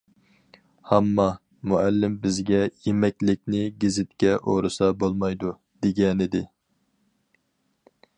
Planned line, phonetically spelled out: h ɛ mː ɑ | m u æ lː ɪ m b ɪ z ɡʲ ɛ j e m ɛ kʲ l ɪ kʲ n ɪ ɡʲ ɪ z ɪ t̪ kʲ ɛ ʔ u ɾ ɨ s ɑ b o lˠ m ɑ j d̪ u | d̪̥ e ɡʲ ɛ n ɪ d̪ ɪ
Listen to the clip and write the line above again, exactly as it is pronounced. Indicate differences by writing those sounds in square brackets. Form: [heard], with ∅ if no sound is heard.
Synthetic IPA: h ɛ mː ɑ | m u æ lː ɪ m b ɪ z ɡʲ ɛ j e m ɛ kʲ l ɪ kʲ n ɪ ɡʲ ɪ z ɪ t̪ kʲ ɛ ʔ [o] ɾ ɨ s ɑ b o lˠ m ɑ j d̪ u | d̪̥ e ɡʲ ɛ n ɪ d̪ ɪ